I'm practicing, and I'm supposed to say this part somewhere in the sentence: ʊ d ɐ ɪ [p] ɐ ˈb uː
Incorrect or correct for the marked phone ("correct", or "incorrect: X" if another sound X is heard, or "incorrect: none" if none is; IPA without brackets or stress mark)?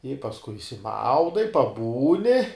correct